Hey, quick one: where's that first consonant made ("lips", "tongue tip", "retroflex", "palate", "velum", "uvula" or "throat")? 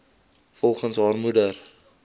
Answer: lips